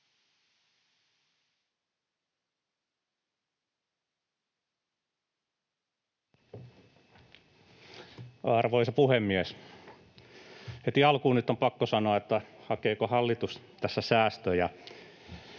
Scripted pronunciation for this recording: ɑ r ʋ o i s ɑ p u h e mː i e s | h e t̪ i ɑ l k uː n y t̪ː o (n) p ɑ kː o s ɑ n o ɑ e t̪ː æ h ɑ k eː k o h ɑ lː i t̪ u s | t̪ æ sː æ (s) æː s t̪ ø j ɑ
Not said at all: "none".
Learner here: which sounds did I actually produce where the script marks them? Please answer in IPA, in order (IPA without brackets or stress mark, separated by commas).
m, s